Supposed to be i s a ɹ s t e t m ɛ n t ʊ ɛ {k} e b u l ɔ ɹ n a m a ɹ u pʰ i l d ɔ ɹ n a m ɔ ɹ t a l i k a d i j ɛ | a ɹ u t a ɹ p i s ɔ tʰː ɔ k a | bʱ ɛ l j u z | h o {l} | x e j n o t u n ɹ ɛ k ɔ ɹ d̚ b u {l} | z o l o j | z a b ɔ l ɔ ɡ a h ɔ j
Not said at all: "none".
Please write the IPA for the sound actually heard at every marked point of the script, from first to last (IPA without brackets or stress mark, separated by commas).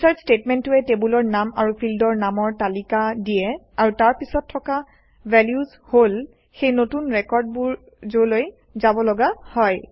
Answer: t, l, ɹ